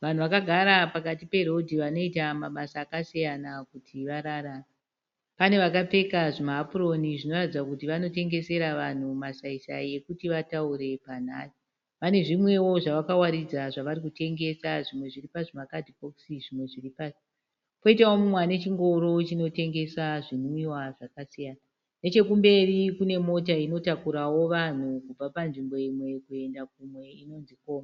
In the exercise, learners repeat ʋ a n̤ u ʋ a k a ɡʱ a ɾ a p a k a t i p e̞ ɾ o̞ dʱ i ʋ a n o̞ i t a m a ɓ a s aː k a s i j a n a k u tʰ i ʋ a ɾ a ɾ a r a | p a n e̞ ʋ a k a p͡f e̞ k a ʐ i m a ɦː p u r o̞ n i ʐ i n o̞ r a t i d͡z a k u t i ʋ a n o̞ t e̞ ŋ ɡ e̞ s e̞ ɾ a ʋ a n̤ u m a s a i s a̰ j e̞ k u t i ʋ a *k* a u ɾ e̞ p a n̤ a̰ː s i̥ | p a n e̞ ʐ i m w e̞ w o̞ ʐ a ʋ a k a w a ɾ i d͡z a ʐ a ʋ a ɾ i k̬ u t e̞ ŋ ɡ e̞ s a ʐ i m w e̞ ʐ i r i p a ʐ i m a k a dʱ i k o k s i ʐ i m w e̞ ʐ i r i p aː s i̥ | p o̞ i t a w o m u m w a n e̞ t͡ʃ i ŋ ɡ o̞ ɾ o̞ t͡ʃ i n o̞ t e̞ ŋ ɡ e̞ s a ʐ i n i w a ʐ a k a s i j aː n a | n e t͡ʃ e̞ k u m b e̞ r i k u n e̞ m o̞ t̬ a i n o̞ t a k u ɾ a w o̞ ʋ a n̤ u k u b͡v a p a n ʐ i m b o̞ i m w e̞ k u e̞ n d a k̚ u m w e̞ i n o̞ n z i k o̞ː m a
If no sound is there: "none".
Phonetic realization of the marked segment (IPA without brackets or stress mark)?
t